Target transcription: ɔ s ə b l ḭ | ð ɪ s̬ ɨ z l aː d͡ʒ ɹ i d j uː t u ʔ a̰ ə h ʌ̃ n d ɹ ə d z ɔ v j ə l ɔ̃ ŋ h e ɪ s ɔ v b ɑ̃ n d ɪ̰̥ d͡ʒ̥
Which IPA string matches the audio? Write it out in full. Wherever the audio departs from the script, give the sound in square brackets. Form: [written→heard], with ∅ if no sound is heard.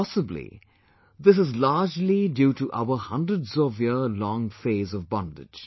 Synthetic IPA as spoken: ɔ s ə b l ḭ | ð ɪ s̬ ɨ z l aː d͡ʒ [ɹ→l] i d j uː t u ʔ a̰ ə h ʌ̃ n d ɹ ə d z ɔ v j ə l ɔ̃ ŋ [h→f] e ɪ [s→z] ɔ v b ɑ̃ n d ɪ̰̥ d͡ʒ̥